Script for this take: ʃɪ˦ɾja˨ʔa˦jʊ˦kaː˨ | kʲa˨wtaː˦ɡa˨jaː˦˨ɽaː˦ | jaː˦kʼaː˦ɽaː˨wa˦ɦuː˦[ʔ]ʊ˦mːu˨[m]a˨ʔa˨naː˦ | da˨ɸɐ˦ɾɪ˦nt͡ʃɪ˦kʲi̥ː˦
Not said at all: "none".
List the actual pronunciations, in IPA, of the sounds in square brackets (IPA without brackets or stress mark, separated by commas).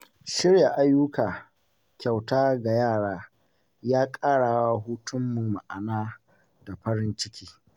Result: t, m